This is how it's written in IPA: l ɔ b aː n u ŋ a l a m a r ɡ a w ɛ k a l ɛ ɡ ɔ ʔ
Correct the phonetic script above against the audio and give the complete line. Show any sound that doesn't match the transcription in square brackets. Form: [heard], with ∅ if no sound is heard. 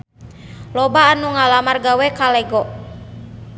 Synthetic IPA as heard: l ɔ b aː n u ŋ a l a m a r ɡ a w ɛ k a l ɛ ɡ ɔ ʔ